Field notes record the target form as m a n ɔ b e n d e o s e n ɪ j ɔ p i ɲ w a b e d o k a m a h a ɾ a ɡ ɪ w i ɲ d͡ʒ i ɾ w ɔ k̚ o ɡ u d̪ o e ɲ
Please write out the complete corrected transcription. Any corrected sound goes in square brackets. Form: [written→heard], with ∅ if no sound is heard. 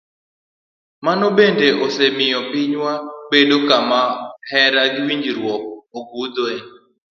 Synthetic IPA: m a n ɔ b e n d e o s e [n→m] ɪ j ɔ p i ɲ w a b e d o k a m a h [a→ɛ] ɾ a ɡ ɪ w i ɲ d͡ʒ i ɾ w ɔ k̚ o ɡ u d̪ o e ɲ